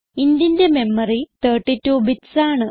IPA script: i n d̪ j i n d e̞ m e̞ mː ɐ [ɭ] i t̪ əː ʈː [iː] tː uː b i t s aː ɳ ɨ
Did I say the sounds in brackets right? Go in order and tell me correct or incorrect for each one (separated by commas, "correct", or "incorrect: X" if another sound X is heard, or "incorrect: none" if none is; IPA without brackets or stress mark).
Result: incorrect: r, incorrect: i